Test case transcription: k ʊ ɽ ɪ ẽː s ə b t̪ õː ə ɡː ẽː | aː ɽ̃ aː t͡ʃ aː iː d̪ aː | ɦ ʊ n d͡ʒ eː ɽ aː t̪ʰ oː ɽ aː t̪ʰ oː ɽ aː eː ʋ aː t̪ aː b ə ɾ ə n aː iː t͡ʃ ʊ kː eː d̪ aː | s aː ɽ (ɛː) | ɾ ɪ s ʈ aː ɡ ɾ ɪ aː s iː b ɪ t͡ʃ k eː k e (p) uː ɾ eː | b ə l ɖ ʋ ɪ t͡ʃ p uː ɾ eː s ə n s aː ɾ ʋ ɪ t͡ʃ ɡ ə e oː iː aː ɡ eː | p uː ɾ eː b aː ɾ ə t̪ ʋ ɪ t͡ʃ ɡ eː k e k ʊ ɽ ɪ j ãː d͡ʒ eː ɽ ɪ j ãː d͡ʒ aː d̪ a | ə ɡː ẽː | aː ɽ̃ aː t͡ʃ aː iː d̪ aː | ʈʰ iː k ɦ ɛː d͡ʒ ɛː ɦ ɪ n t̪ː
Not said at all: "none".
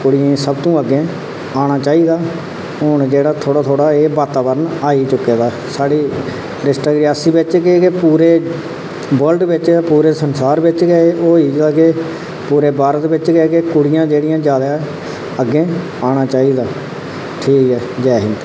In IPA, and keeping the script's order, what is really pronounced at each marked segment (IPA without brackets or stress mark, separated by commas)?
iː, p